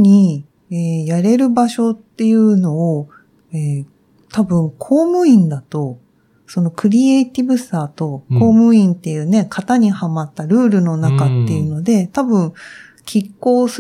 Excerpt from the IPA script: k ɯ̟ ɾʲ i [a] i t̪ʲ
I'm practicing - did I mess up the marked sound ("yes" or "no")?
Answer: yes